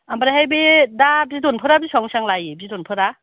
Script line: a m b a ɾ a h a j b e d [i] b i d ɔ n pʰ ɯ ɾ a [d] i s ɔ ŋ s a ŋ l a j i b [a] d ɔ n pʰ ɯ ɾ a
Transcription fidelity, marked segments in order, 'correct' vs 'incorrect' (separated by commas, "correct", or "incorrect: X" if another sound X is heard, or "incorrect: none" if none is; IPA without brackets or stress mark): incorrect: a, incorrect: b, incorrect: i